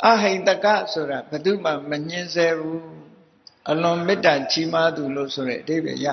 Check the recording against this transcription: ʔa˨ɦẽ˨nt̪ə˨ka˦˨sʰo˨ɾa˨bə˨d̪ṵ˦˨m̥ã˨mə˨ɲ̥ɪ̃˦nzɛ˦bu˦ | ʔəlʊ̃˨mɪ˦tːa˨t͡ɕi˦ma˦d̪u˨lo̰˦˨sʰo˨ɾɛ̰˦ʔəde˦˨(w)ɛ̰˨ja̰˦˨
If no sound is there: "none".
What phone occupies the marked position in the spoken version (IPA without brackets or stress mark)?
b